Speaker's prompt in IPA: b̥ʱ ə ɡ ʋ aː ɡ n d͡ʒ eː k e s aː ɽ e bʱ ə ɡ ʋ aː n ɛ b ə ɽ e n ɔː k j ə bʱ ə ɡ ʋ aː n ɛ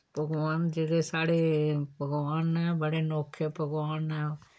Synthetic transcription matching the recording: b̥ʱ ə ɡ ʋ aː n d͡ʒ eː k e s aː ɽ e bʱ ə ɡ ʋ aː n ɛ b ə ɽ e n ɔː kʰ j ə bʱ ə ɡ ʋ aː n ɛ